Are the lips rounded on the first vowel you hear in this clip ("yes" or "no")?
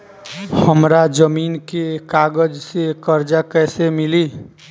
no